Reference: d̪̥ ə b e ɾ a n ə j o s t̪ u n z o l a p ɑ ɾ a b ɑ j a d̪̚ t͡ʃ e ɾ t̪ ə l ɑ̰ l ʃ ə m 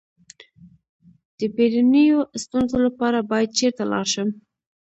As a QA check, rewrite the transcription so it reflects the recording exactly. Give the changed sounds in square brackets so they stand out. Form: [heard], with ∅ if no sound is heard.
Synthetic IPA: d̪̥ ə b e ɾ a n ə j o s t̪ u n z o l a p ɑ ɾ a b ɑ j a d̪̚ t͡ʃ e ɾ t̪ [a] l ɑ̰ [ɾ] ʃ ə m